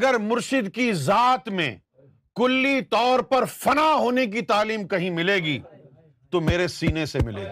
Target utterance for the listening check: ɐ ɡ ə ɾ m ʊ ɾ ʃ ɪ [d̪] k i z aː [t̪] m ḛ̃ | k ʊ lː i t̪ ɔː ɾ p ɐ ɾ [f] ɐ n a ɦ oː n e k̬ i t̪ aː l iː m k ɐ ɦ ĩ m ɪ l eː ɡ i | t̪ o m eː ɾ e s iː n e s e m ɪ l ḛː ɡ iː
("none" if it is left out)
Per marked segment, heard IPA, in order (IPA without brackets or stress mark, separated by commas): d̪, t̪, f